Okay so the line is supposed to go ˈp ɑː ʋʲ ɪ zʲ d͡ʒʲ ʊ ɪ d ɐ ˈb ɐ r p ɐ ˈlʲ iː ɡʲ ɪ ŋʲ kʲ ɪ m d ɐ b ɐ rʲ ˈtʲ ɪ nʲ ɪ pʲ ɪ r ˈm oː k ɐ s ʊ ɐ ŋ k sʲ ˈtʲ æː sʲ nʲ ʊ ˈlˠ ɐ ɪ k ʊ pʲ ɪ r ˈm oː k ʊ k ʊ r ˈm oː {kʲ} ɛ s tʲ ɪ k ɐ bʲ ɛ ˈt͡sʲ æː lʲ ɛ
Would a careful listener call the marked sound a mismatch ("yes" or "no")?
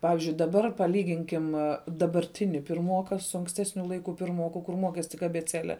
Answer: no